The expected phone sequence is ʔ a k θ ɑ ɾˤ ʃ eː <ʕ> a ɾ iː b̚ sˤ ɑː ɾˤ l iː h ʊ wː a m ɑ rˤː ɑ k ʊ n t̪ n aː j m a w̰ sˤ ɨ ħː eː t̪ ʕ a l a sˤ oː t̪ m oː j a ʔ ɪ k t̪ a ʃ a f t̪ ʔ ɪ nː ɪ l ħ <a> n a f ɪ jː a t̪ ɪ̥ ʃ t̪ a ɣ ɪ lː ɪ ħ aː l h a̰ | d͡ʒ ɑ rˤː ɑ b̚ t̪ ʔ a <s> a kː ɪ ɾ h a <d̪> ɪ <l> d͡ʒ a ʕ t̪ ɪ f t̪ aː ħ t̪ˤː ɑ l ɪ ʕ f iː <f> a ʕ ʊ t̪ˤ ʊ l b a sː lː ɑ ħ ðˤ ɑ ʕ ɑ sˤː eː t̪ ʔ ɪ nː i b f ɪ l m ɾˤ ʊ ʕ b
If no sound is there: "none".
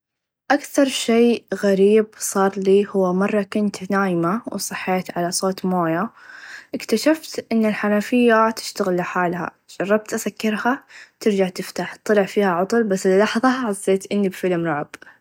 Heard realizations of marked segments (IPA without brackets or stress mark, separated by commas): ɣ, a, s, t̪, ɾ, h